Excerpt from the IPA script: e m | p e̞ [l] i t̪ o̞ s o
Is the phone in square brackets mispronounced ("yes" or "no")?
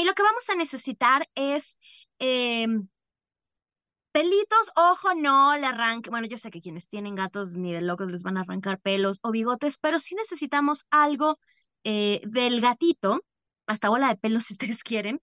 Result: no